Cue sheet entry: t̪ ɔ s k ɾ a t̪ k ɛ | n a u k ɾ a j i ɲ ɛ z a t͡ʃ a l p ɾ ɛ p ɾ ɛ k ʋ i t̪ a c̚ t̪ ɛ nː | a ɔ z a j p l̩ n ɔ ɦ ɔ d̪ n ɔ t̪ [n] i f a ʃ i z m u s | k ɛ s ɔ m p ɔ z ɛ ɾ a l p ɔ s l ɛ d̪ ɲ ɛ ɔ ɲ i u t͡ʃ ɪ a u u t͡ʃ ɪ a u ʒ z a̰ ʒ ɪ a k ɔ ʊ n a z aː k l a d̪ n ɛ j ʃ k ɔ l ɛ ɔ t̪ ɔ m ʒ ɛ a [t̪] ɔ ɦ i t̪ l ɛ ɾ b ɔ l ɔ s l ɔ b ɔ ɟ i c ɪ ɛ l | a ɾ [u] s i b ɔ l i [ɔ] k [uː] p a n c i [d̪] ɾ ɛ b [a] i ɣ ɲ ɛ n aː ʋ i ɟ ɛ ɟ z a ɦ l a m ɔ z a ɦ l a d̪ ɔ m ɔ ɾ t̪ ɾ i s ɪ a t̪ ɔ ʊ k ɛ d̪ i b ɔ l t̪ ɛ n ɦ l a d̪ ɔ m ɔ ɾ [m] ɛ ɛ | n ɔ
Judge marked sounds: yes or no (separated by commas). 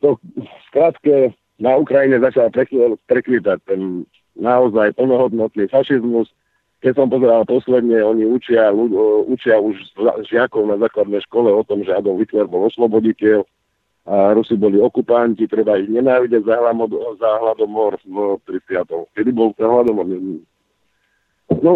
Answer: yes, no, yes, yes, no, no, yes, no